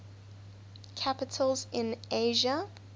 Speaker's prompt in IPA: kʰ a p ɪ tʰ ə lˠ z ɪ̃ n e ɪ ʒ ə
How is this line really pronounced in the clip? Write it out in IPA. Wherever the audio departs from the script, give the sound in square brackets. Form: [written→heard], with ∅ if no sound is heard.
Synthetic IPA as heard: kʰ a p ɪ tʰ ə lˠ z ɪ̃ n e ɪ ʒ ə